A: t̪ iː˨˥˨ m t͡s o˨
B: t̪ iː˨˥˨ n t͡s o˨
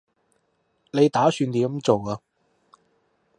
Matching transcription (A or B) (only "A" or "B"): A